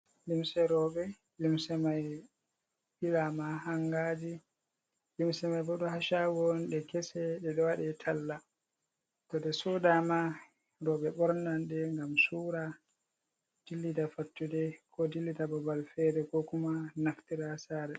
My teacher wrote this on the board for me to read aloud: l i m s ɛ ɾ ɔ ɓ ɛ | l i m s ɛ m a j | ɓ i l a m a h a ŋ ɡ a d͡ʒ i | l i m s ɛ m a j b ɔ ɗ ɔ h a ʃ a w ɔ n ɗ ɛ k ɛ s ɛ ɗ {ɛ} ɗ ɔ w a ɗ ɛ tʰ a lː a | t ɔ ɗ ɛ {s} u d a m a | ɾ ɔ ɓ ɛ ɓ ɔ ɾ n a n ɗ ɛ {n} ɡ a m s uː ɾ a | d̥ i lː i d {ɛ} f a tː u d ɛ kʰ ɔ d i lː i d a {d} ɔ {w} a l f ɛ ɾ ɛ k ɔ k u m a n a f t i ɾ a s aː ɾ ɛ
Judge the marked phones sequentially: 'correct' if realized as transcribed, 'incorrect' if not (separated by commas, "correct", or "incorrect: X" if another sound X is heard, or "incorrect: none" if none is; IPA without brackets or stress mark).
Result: correct, correct, incorrect: ŋ, incorrect: a, incorrect: b, incorrect: b